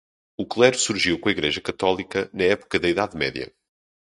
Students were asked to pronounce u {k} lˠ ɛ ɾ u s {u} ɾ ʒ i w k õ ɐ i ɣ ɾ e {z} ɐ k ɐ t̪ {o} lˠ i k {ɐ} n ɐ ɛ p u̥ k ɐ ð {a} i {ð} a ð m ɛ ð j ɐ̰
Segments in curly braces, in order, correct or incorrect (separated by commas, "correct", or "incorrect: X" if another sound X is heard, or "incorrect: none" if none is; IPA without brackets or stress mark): correct, correct, incorrect: ʒ, incorrect: ɔ, correct, incorrect: ɐ, correct